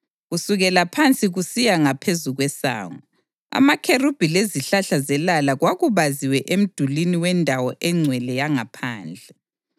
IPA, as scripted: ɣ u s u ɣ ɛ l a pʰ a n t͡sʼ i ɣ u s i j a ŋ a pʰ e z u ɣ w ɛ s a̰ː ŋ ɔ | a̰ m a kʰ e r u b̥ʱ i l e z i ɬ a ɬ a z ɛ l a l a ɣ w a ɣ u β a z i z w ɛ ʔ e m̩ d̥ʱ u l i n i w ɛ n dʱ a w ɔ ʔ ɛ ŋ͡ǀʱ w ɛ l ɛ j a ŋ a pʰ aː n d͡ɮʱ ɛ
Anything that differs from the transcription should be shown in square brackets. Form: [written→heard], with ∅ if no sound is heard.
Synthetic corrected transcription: ɣ u s u ɣ ɛ l a pʰ a n t͡sʼ i ɣ u s i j a ŋ a pʰ e z u ɣ w ɛ s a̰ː ŋ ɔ | a̰ m a kʰ e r u b̥ʱ i l e z i ɬ a ɬ a z ɛ l a l a ɣ w a ɣ u β a z i [z→∅] w ɛ ʔ e m̩ d̥ʱ u l i n i w ɛ n dʱ a w ɔ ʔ ɛ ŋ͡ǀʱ w ɛ l ɛ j a ŋ a pʰ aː n d͡ɮʱ ɛ